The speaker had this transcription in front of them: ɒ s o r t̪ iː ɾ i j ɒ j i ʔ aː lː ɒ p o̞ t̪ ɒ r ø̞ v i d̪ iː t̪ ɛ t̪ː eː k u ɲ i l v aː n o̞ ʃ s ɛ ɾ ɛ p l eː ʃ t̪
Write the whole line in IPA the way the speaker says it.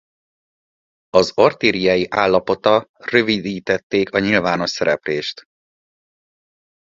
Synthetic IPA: ɒ z o r t̪ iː ɾ i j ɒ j i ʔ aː lː ɒ p o̞ t̪ ɒ r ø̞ v i d̪ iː t̪ ɛ t̪ː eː k ɒ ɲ i l v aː n o̞ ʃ s ɛ ɾ ɛ p l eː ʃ t̪